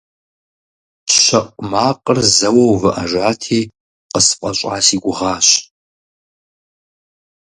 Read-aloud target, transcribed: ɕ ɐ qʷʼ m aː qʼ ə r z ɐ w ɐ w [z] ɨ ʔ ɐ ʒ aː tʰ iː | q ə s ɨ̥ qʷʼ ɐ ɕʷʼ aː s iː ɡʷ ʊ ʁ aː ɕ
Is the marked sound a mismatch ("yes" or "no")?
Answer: yes